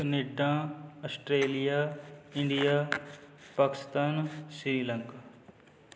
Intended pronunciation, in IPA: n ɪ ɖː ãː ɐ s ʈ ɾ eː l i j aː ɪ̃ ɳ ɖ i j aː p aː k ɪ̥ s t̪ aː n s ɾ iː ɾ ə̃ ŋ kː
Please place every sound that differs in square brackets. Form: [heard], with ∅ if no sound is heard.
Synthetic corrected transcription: n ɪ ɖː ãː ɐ s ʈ ɾ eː l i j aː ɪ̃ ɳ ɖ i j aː p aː k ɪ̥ s t̪ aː n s ɾ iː [l] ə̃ ŋ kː